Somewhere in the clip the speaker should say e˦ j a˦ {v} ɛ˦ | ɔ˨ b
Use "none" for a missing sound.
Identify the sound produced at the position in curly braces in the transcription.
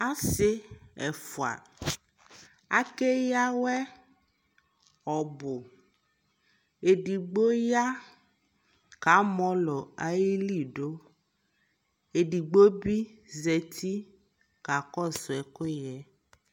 w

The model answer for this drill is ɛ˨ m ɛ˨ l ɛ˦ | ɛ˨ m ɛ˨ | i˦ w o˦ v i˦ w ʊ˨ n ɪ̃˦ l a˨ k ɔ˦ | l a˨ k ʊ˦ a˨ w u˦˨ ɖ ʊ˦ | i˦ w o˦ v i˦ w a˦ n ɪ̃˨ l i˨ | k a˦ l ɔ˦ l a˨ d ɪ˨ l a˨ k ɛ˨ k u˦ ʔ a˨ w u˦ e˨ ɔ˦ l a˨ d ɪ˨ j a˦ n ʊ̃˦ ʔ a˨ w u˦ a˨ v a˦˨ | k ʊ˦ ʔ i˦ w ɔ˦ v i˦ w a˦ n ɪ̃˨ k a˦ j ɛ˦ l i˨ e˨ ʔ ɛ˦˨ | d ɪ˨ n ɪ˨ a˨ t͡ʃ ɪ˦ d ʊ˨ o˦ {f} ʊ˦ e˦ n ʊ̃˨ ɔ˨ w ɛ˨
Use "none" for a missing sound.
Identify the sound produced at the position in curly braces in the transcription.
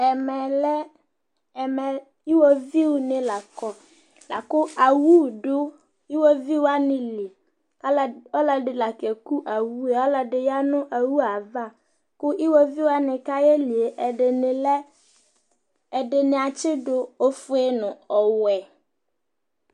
f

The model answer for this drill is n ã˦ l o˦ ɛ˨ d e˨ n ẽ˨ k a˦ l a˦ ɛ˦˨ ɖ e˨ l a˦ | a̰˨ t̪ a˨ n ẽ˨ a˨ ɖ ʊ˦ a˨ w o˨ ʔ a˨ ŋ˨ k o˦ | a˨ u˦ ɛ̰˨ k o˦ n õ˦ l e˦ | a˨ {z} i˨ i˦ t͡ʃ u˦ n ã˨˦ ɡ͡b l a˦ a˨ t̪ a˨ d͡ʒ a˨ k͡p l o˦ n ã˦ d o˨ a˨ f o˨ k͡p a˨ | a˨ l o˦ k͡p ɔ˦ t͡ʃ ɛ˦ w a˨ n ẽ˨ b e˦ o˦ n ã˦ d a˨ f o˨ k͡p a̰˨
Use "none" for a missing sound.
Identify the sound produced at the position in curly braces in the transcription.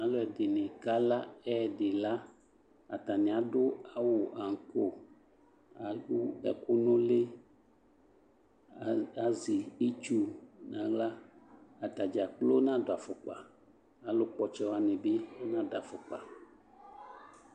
z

